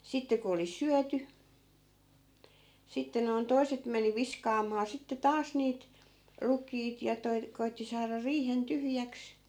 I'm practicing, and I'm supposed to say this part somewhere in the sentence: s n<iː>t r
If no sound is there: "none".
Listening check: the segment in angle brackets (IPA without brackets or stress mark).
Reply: iː